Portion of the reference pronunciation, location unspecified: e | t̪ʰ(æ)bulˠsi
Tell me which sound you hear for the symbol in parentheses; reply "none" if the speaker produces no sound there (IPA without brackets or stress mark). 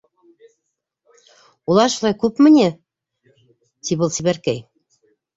i